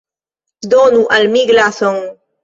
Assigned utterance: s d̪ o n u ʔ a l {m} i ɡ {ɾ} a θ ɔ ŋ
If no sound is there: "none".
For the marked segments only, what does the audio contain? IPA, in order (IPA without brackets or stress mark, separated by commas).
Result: m, l